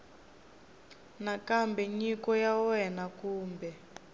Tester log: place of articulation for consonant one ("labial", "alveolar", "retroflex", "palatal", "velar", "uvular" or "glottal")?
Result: alveolar